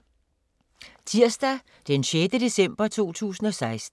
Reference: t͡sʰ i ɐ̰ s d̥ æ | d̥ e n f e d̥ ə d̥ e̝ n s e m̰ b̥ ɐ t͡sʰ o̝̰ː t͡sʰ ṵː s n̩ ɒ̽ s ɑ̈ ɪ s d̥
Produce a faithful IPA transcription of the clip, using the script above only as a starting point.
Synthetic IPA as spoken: t͡sʰ i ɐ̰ s d̥ æ | d̥ e n ɕ e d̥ ə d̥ e̝ s e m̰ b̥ ɐ t͡sʰ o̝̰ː t͡sʰ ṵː s n̩ ɒ̽ s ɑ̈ ɪ s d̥